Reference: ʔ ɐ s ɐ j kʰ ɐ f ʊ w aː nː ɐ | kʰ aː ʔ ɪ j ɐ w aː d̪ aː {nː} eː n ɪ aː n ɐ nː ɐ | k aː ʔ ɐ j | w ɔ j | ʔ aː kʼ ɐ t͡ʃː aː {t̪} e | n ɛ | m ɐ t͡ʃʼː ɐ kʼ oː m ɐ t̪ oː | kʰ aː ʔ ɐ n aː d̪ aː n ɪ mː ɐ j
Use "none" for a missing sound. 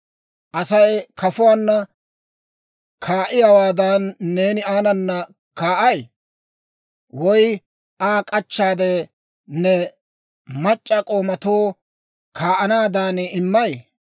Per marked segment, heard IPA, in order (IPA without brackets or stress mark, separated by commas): nː, d̪